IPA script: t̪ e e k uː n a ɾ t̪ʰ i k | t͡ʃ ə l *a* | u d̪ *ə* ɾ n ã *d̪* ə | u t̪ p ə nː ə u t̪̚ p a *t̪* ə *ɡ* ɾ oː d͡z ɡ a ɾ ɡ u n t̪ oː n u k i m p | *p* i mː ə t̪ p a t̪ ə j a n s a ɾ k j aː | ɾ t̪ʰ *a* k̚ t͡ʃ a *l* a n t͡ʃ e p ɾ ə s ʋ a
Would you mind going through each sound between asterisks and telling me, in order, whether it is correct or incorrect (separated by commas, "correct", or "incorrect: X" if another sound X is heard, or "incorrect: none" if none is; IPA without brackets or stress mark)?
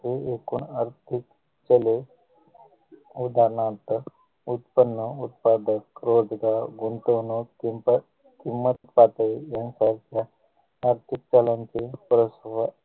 incorrect: e, incorrect: a, incorrect: t̪, incorrect: d̪, incorrect: k, incorrect: k, incorrect: i, correct